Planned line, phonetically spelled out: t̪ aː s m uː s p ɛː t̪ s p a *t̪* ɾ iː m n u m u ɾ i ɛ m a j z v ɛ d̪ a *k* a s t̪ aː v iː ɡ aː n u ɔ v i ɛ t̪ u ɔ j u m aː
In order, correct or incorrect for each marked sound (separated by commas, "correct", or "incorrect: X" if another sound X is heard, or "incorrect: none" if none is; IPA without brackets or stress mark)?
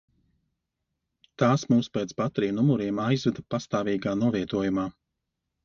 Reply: correct, incorrect: p